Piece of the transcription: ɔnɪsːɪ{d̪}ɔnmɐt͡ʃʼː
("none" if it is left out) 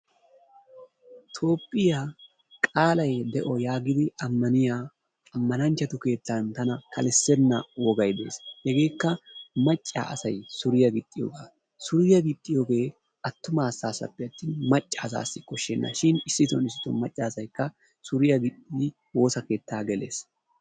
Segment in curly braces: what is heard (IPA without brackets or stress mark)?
t̪